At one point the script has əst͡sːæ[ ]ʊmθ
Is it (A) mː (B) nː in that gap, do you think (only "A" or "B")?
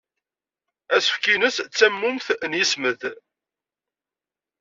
A